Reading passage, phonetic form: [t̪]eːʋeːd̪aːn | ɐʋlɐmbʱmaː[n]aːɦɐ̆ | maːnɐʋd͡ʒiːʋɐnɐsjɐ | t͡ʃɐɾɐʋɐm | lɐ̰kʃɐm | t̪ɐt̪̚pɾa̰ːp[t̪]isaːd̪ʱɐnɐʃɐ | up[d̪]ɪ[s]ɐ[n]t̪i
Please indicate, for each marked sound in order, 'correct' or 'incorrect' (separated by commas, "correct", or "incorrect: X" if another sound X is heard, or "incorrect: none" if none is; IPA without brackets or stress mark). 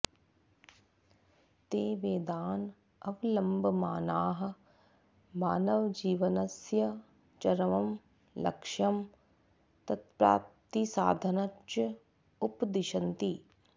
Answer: correct, correct, correct, correct, incorrect: ʃ, correct